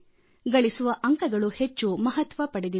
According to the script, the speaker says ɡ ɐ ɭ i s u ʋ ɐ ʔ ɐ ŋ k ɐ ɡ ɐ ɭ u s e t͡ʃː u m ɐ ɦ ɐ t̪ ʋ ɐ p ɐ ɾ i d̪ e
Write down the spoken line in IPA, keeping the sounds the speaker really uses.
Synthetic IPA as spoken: ɡ ɐ ɭ i s u ʋ ɐ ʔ ɐ ŋ k ɐ ɡ ɐ ɭ u h e t͡ʃː u m ɐ ɦ ɐ t̪ ʋ ɐ p ɐ ɽ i d̪ i